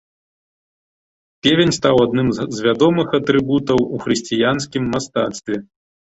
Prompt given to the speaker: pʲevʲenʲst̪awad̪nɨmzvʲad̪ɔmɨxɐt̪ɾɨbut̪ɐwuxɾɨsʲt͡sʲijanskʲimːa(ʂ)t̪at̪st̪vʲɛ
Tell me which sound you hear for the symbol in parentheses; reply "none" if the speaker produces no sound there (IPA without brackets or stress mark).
s